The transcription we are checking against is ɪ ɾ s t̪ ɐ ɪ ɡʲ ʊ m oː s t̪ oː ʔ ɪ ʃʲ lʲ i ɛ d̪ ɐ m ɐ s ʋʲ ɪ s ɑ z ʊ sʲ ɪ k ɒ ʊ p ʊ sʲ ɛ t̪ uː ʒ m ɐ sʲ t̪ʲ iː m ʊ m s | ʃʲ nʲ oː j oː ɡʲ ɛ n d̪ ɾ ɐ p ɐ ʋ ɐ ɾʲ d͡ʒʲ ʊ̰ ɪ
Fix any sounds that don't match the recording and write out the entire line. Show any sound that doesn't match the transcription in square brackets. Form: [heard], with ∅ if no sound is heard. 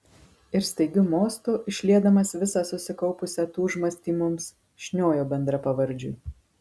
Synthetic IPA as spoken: ɪ ɾ s t̪ ɐ ɪ ɡʲ ʊ m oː s t̪ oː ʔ ɪ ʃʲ lʲ i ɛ d̪ ɐ m ɐ s ʋʲ ɪ s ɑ [s] ʊ sʲ ɪ k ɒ ʊ p ʊ sʲ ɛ t̪ uː ʒ m ɐ sʲ t̪ʲ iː m ʊ m s | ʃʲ nʲ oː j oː [bʲ] ɛ n d̪ ɾ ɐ p ɐ ʋ ɐ ɾʲ d͡ʒʲ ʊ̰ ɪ